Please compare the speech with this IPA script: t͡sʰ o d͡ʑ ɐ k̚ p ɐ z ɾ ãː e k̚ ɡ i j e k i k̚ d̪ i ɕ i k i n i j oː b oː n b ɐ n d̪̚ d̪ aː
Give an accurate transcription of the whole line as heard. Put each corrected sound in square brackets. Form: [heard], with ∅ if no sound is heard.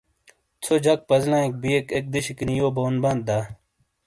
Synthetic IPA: t͡sʰ o d͡ʑ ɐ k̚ p ɐ z [l] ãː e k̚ [b] i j e k [e] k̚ d̪ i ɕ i k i n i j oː b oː n b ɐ n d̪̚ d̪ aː

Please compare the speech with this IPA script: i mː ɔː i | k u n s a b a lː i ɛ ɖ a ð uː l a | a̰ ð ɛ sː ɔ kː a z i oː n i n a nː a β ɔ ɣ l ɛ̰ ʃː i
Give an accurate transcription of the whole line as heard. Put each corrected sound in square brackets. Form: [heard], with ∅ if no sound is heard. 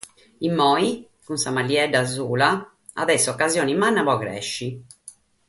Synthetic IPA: i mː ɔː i | k u n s a [m] a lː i ɛ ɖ a [z] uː l a | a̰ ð ɛ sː ɔ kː a z [j] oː n i [m] a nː a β ɔ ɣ [ɾ] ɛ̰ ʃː i

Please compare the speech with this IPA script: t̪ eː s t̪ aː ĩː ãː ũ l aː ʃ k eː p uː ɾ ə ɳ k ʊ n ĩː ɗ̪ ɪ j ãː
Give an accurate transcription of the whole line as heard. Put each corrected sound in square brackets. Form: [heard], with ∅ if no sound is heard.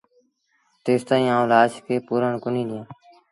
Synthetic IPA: t̪ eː s t̪ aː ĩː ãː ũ l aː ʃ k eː p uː ɾ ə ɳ k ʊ n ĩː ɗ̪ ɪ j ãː

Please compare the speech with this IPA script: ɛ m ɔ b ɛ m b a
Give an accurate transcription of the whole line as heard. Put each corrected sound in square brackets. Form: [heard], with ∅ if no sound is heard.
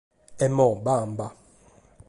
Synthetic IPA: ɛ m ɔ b [a] m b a

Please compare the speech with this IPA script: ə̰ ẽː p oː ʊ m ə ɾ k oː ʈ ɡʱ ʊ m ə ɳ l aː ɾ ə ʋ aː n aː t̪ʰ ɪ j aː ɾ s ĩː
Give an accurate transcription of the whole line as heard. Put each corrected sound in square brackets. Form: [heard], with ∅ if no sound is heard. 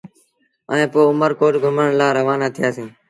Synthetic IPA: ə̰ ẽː p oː ʊ m ə ɾ k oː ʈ ɡʱ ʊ m ə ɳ l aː ɾ ə ʋ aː n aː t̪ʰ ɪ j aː [∅] s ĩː

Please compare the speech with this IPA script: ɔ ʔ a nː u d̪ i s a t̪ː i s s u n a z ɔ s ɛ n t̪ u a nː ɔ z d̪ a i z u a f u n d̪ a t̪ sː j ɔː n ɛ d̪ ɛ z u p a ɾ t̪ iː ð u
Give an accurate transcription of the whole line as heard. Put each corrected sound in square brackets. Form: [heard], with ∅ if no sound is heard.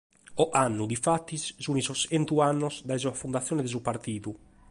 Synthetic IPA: ɔ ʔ a nː u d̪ i [f] a t̪ː i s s u n [i] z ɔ s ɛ n t̪ u a nː ɔ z d̪ a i z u a f u n d̪ a t̪ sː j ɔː n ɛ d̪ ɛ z u p a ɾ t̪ iː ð u

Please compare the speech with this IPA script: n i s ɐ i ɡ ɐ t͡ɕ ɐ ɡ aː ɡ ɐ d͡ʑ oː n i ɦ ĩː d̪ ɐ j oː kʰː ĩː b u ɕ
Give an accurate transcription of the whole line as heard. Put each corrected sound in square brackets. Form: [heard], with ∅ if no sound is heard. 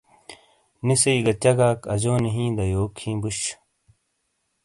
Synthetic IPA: n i s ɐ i ɡ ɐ t͡ɕ ɐ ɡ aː [k] ɐ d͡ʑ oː n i ɦ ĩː d̪ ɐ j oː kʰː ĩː b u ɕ

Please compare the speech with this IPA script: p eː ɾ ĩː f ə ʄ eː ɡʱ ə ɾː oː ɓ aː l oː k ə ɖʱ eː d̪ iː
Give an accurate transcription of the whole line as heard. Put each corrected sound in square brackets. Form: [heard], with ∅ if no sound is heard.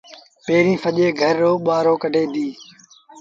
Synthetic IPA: p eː ɾ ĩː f ə ʄ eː ɡʱ ə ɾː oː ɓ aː [ɾ] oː k ə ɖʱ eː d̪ iː

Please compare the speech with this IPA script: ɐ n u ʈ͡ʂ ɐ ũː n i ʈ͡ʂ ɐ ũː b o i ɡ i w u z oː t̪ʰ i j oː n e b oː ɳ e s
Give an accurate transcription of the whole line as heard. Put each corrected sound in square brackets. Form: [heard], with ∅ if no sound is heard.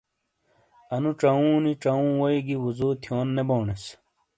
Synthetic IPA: ɐ n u ʈ͡ʂ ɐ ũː n i ʈ͡ʂ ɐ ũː [w] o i ɡ i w u z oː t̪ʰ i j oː [nː] e b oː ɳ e s

